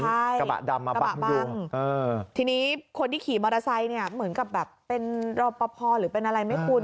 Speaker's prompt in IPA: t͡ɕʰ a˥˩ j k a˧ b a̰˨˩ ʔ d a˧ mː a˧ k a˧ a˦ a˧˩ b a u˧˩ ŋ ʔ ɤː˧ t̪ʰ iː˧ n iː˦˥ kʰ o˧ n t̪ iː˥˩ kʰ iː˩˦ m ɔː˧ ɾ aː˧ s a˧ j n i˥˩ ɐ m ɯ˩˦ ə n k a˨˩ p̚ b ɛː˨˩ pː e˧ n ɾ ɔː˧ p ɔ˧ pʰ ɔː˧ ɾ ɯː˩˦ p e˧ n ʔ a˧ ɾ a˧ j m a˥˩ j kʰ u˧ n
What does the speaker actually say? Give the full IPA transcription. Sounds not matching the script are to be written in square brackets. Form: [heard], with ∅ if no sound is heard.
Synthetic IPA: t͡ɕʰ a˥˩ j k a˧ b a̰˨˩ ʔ d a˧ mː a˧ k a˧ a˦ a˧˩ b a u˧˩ ŋ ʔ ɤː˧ t̪ʰ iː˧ n iː˦˥ kʰ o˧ n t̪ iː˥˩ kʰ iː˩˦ m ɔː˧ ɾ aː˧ s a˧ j n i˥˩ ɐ m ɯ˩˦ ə n k a˨˩ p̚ b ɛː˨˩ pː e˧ n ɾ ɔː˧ p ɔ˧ pʰ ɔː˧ ɾ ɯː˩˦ p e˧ n ʔ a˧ ɾ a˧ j m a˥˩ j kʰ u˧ n